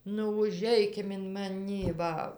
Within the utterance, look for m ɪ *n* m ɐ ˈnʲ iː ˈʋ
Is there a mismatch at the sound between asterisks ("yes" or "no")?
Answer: no